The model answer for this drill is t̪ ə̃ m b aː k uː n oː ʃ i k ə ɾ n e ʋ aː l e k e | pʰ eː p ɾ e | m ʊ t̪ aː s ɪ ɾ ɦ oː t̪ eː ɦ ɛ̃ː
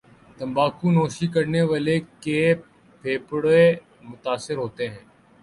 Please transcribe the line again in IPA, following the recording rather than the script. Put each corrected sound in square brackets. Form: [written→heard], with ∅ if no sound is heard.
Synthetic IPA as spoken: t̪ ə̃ m b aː k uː n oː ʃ i k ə ɾ n e ʋ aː l e k e | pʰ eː p [ɾ→ɽ] e | m ʊ t̪ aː s ɪ ɾ ɦ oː t̪ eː ɦ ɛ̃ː